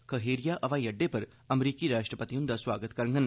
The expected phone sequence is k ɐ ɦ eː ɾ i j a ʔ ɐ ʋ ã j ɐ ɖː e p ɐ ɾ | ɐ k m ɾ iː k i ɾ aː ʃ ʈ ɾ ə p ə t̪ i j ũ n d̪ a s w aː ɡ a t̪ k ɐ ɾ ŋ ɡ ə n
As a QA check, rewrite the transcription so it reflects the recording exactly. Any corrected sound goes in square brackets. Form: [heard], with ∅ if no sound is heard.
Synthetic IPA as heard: k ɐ ɦ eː ɾ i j a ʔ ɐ ʋ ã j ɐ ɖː e p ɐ ɾ | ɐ [∅] m ɾ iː k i ɾ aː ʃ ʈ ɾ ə p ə t̪ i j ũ n d̪ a s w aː ɡ [ə] t̪ k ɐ ɾ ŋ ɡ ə n